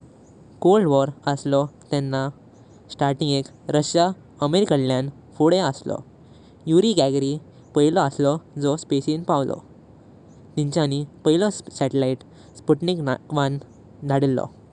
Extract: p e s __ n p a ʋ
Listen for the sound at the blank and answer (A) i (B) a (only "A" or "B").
A